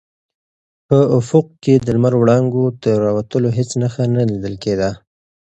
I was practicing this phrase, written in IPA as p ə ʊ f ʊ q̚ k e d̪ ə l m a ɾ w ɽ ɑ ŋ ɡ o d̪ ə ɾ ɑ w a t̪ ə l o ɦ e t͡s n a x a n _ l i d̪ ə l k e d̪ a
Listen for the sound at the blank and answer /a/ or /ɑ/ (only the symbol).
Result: a